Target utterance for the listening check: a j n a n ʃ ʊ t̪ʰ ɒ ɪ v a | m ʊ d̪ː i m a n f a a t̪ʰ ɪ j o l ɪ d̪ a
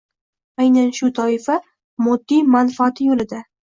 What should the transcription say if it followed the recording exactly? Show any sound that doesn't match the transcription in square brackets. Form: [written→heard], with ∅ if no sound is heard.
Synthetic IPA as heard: a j n a n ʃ ʊ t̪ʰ ɒ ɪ [v→f] a | m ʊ d̪ː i m a n f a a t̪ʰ ɪ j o l ɪ d̪ a